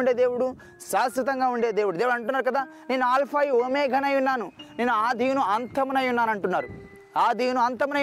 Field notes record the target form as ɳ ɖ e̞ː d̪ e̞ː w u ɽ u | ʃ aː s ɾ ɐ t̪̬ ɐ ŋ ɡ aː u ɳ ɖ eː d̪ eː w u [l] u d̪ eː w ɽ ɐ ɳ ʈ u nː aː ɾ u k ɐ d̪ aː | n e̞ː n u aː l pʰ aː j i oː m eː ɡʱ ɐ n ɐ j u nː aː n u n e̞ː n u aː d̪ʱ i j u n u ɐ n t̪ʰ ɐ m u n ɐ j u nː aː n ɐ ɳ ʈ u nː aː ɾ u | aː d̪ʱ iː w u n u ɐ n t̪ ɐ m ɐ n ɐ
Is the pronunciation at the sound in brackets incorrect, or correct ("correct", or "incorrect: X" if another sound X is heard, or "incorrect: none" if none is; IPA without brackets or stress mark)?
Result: incorrect: ɽ